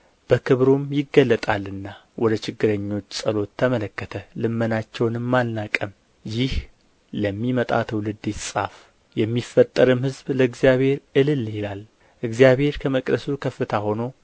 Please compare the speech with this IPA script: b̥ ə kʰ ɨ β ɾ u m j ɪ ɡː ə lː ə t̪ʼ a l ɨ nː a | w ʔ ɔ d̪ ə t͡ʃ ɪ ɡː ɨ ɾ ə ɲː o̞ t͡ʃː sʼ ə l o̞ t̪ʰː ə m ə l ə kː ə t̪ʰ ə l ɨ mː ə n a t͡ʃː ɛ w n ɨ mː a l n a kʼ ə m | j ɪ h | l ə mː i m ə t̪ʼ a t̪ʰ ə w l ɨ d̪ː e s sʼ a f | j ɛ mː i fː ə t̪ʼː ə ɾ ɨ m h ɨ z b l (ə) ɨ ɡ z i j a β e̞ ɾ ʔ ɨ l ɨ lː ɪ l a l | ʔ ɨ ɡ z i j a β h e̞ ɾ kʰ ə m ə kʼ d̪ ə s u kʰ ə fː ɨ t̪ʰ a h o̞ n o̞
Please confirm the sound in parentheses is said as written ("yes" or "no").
yes